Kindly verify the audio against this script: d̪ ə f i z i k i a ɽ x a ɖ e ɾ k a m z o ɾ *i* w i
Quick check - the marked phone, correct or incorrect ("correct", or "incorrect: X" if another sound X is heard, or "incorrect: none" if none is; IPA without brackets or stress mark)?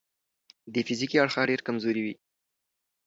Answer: correct